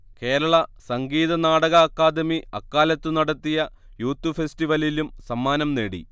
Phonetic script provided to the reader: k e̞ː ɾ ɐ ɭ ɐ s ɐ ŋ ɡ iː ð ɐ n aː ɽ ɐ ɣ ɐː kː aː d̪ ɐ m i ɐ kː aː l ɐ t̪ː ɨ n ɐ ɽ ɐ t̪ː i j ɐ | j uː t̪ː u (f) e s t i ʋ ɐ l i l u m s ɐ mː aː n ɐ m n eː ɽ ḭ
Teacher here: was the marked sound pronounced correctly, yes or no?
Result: yes